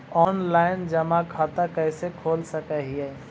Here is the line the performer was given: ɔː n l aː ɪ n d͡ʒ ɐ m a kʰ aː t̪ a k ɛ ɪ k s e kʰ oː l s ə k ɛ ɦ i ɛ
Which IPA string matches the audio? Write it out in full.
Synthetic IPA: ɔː n l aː ɪ n d͡ʒ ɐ m a kʰ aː t̪ a k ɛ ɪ s e kʰ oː l s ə k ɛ ɦ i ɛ